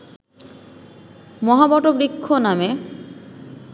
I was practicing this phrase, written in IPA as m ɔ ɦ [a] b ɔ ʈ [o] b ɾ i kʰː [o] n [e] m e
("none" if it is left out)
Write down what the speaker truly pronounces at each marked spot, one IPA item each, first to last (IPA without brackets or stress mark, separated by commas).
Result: a, o, o, a